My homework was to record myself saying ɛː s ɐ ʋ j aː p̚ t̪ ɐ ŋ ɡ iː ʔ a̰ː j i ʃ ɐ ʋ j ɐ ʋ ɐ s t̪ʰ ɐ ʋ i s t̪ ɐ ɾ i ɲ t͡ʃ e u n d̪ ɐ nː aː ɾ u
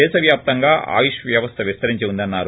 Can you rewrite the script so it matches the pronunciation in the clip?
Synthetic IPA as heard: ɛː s ɐ ʋ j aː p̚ t̪ ɐ ŋ ɡ aː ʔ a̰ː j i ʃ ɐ ʋ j ɐ ʋ ɐ s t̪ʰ ɐ ʋ i s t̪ ɐ ɾ i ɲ t͡ʃ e u n d̪ ɐ nː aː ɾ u